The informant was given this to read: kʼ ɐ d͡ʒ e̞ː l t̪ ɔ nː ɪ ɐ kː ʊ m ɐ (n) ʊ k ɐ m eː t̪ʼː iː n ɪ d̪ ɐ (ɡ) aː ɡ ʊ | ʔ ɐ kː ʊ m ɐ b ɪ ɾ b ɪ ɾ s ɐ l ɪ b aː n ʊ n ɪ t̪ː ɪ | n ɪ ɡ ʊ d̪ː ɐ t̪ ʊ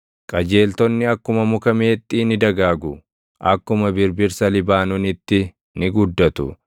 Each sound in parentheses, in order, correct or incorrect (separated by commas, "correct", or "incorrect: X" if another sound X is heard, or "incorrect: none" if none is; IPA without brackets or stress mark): incorrect: m, correct